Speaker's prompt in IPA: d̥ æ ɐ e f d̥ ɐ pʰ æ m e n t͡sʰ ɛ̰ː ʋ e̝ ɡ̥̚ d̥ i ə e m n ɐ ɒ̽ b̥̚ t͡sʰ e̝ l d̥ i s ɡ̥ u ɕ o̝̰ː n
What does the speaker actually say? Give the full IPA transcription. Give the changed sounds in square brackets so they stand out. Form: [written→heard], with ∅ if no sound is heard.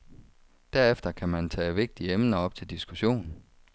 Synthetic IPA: d̥ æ ɐ e f d̥ ɐ [pʰ→kʰ] æ m [e→æ] n t͡sʰ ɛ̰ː ʋ e̝ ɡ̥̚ d̥ i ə e m n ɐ ɒ̽ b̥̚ t͡sʰ e̝ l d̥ i s ɡ̥ u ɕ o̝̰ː n